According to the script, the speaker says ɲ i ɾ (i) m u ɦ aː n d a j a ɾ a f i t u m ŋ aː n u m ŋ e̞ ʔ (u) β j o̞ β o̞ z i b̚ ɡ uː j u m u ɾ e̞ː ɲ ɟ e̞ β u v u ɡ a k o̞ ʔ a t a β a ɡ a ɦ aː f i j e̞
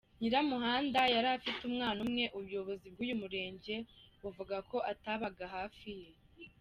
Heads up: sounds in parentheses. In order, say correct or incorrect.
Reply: incorrect: a, correct

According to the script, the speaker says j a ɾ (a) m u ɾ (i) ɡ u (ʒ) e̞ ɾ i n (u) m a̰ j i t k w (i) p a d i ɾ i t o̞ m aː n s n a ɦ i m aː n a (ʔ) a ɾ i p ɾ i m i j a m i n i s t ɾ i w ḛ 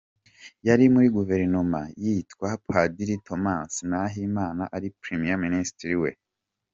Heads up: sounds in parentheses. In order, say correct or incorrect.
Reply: incorrect: i, correct, incorrect: v, incorrect: o, incorrect: a, correct

